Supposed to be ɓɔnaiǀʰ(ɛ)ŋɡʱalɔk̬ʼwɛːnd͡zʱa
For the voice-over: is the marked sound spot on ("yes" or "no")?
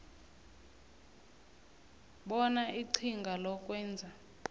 no